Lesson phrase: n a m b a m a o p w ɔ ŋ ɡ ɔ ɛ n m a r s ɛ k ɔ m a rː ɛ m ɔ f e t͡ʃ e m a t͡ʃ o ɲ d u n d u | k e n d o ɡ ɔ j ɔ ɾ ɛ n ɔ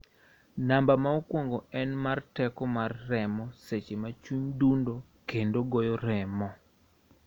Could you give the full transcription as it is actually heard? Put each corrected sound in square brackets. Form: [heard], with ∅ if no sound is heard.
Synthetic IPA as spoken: n a m b a m a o [k] w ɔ ŋ ɡ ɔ ɛ n m a r [t] ɛ k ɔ m a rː ɛ m ɔ [s] e t͡ʃ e m a t͡ʃ [u] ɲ d u n d [o] | k e n d o ɡ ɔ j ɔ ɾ ɛ [m] ɔ